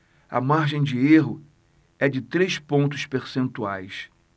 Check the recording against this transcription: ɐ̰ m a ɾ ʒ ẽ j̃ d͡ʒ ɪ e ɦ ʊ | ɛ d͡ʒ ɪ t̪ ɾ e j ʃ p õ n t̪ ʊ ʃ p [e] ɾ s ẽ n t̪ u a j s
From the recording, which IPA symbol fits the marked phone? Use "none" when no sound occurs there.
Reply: e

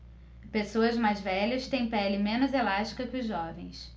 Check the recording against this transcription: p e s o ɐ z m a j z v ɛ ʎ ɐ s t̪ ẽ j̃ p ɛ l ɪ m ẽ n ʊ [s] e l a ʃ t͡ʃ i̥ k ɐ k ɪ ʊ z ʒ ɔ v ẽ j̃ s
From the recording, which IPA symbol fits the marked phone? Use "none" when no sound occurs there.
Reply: z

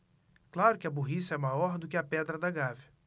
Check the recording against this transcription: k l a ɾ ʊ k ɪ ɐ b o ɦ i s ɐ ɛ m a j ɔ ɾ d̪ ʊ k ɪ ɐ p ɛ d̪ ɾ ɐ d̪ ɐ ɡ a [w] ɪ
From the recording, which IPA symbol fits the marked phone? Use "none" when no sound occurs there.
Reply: v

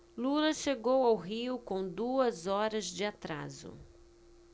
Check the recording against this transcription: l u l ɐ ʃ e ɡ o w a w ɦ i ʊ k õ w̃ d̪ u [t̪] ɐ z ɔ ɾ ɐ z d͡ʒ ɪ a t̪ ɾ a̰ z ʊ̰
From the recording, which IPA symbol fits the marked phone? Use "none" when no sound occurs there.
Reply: none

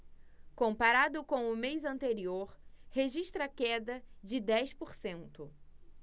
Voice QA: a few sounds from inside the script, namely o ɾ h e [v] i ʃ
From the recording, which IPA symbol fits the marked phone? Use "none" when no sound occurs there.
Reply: ʒ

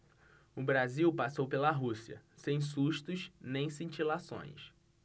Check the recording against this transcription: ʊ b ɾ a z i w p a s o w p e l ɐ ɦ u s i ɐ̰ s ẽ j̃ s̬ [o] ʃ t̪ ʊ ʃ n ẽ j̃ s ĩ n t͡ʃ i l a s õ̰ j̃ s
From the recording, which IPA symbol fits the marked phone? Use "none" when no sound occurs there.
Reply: u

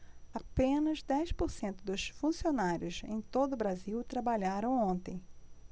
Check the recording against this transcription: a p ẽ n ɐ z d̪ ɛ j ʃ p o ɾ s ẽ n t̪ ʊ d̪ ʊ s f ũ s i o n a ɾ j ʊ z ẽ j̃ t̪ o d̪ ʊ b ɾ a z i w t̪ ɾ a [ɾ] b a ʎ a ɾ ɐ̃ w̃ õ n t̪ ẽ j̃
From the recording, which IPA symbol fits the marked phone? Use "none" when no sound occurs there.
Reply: none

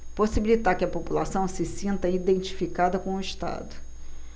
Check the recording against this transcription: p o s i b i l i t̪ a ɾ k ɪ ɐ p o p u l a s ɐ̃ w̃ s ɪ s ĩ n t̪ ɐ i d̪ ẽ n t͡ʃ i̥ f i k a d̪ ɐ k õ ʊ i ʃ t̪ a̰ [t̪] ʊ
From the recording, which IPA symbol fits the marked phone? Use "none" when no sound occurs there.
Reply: d̪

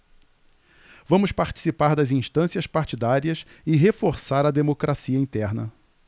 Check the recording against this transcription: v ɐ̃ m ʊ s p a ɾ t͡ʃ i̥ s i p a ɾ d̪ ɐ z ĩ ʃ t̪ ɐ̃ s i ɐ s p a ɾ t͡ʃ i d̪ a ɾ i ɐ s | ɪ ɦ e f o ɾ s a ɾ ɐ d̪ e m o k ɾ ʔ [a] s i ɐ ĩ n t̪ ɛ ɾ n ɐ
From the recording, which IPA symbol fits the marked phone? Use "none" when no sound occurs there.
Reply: a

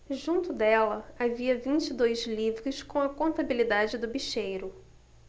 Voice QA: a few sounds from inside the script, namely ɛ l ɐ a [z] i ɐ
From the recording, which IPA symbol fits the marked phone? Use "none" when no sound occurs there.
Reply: v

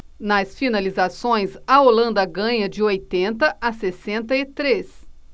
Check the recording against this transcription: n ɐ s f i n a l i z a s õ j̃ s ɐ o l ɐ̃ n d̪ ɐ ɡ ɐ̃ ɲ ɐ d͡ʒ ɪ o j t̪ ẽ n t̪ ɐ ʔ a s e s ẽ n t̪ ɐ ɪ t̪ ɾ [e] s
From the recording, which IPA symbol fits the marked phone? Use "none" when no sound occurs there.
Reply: e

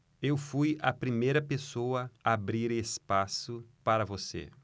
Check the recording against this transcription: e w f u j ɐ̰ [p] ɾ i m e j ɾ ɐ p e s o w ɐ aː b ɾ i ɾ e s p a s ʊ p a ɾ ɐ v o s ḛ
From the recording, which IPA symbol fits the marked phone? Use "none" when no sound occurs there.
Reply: p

